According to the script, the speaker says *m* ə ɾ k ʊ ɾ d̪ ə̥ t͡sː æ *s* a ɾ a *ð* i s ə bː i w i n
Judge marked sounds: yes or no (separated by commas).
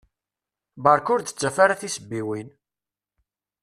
no, no, no